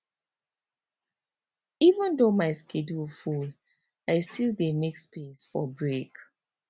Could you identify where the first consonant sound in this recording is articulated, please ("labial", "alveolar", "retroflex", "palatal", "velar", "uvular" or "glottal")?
labial